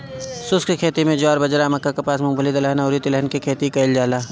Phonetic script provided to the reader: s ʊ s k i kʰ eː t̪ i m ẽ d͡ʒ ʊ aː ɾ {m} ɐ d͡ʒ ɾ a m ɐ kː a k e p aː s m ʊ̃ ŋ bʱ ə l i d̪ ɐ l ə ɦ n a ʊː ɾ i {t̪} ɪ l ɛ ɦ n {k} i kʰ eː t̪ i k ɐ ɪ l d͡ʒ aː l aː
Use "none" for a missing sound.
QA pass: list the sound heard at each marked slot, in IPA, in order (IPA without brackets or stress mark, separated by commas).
b, t̪, k